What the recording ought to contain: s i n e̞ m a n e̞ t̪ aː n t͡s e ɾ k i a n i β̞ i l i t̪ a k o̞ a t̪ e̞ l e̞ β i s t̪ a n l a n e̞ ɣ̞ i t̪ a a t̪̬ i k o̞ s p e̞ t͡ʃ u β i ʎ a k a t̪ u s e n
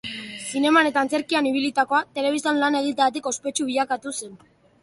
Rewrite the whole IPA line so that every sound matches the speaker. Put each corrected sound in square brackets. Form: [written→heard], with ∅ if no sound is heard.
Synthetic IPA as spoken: s i n e̞ m a n e̞ t̪ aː n t͡s e ɾ k i a n i β̞ i l i t̪ a k o̞ a t̪ e̞ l e̞ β i s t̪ a n l a n e̞ ɣ̞ i t̪ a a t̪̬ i k o̞ s p e̞ t͡ʃ u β i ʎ a k a t̪ u s e n